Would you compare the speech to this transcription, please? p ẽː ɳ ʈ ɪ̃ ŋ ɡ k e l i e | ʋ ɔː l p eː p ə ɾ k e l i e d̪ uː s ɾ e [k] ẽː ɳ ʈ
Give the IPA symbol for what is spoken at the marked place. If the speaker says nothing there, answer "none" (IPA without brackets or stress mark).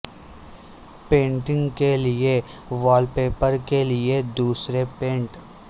p